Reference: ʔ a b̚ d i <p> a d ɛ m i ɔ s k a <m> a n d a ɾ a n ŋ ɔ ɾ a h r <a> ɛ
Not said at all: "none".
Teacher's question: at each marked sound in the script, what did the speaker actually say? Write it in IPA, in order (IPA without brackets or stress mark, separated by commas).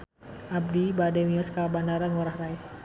b, b, a